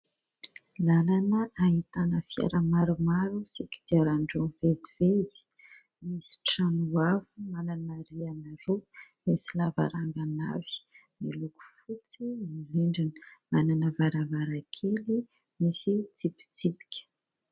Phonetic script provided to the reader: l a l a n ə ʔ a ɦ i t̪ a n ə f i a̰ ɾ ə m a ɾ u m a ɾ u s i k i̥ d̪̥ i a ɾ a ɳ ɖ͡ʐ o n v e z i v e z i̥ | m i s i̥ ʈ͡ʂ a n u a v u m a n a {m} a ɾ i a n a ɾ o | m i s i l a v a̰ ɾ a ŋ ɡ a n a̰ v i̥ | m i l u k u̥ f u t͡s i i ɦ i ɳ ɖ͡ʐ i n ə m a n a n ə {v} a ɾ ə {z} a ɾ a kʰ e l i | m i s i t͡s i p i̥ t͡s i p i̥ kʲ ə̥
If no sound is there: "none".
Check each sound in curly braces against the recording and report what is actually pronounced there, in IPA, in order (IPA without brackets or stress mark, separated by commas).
n, v, v